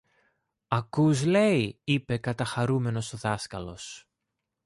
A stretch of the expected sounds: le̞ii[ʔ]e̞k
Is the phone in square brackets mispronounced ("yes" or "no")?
yes